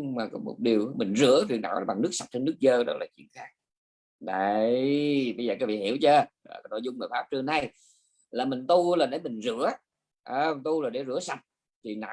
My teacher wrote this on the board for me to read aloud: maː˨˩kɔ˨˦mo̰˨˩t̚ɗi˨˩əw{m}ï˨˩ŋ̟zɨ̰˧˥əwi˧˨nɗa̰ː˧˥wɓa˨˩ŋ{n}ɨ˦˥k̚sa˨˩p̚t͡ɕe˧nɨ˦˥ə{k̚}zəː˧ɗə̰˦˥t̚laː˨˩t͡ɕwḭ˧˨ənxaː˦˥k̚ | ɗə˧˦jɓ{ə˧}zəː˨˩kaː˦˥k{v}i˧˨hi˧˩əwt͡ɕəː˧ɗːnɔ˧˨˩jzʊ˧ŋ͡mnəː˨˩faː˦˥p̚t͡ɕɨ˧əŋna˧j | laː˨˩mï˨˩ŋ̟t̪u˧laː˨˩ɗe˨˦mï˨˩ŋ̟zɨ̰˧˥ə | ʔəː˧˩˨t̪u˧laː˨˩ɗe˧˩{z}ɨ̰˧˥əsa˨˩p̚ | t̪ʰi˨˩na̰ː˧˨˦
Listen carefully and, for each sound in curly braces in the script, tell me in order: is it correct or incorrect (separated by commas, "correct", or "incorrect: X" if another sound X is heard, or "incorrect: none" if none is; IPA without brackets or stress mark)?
correct, correct, correct, correct, correct, correct